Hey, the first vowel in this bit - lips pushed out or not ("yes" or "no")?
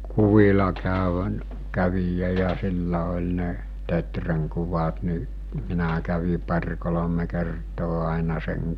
yes